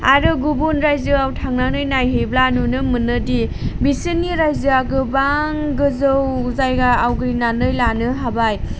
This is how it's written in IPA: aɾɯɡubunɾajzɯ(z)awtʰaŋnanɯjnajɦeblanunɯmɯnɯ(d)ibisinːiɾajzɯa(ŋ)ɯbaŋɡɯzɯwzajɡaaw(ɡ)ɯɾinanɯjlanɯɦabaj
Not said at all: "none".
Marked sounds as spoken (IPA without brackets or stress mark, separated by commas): none, d, ɡ, ɡ